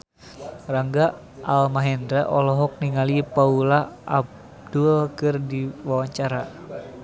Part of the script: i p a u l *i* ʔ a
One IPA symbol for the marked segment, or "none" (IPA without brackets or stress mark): a